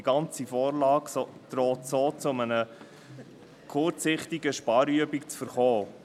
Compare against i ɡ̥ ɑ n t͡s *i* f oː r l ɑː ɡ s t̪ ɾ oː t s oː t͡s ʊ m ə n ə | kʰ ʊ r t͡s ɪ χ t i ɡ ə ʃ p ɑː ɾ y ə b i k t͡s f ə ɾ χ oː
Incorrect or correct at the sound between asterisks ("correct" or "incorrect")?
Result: correct